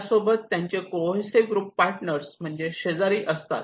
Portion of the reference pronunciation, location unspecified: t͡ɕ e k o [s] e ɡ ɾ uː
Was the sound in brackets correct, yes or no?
yes